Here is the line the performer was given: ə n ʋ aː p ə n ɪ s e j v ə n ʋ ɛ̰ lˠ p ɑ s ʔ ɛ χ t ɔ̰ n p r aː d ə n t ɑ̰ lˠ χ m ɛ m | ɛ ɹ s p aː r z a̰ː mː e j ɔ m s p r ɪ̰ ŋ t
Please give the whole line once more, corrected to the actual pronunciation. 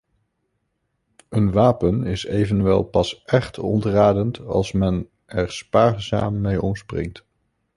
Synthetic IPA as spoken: ə n ʋ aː p ə n ɪ s e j v ə n ʋ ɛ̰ lˠ p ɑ s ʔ ɛ χ t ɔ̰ n t r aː d ə n t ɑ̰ lˠ s m ɛ n | ɛ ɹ s p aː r z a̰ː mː e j ɔ m s p r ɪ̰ ŋ t